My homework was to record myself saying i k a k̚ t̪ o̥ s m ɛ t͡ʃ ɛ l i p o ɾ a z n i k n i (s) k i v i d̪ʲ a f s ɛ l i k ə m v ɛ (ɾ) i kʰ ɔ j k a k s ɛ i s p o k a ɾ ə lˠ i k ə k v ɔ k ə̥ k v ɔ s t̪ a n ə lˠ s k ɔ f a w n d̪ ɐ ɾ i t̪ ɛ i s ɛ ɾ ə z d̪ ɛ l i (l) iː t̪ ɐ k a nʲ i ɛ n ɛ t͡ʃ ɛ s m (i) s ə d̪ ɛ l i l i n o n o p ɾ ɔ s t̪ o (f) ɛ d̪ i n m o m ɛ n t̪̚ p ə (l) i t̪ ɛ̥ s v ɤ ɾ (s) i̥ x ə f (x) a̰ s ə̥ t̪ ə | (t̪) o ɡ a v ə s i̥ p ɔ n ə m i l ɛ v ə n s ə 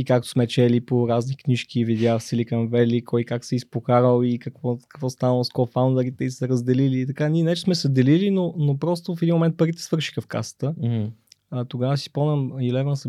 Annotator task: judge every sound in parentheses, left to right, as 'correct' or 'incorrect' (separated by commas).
incorrect, incorrect, correct, incorrect, correct, incorrect, incorrect, incorrect, correct